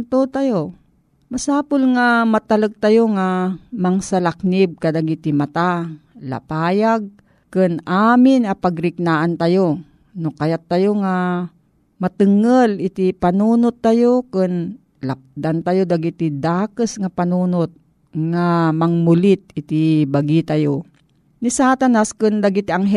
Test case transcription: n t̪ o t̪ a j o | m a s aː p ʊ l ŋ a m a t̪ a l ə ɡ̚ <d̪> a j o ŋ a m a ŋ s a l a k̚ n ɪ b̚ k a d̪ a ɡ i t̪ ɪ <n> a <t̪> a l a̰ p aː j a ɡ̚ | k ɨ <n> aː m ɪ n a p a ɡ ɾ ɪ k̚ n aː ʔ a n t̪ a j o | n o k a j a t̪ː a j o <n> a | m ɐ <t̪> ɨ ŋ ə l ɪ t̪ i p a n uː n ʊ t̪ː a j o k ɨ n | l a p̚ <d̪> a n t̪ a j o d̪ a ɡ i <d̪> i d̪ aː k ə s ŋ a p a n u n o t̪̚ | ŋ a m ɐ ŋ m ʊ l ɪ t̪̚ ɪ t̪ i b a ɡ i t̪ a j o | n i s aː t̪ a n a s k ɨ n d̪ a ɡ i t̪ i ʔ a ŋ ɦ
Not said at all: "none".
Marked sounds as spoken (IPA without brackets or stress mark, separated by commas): t̪, m, t̪, n, ŋ, t̪, d̪, t̪